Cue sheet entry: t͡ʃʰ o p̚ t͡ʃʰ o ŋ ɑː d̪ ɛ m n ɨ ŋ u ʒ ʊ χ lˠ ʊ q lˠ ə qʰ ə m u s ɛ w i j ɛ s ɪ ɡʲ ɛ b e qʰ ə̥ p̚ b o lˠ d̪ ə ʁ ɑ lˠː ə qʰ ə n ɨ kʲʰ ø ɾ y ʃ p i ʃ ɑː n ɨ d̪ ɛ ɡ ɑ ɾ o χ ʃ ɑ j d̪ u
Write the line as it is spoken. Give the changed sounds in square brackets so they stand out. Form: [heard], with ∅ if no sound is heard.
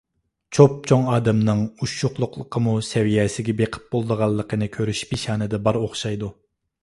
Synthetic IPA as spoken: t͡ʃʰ o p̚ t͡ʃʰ o ŋ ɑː d̪ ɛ m n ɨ ŋ u [ʃ] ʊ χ lˠ ʊ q lˠ ə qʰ ə m u s ɛ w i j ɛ s ɪ ɡʲ ɛ b e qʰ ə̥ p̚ b o lˠ d̪ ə ʁ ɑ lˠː ə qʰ ə n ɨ kʲʰ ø ɾ y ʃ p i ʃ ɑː n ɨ d̪ ɛ [b] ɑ ɾ o χ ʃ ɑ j d̪ u